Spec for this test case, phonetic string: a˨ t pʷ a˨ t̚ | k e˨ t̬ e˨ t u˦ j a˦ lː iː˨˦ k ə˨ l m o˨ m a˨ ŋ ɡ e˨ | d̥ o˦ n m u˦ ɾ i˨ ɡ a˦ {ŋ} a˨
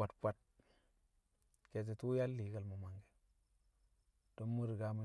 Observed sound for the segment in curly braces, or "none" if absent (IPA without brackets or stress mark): m